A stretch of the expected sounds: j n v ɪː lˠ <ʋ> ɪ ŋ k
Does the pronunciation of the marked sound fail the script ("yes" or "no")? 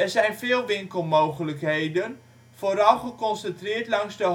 no